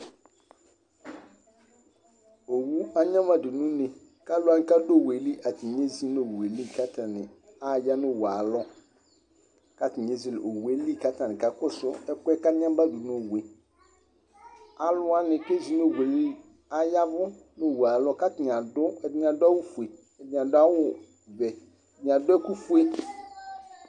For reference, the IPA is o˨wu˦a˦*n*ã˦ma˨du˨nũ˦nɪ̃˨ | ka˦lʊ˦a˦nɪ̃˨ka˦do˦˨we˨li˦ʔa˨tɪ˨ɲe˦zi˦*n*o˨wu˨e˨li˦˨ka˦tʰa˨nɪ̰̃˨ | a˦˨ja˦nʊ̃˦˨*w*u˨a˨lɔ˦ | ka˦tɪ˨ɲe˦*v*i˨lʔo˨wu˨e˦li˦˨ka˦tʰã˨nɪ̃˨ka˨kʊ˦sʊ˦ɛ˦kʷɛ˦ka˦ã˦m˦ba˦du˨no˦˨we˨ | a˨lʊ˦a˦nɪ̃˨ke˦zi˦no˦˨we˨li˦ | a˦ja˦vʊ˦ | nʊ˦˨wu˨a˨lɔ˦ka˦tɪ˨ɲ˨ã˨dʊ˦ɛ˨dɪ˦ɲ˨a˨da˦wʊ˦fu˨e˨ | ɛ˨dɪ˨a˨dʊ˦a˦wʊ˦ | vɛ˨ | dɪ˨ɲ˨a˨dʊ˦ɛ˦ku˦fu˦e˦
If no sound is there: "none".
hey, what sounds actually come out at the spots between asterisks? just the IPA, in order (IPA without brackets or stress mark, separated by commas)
ɲ, n, w, z